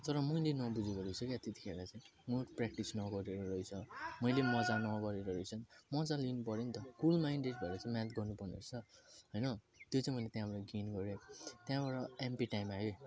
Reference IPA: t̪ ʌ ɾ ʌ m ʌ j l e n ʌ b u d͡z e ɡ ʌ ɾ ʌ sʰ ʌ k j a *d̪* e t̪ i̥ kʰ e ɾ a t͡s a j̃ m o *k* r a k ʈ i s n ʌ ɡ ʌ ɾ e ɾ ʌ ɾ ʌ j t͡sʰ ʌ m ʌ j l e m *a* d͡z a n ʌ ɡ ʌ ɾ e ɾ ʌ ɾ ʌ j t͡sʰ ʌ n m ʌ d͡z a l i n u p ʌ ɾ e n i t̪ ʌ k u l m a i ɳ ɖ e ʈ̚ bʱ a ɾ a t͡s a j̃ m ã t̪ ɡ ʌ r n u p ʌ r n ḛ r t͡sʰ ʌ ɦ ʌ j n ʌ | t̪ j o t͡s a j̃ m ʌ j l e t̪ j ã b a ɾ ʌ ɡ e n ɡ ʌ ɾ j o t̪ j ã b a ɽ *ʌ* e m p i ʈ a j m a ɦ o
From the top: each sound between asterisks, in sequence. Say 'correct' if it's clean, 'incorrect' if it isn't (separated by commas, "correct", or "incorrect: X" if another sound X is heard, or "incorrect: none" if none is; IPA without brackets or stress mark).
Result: incorrect: t̪, incorrect: p, incorrect: ʌ, correct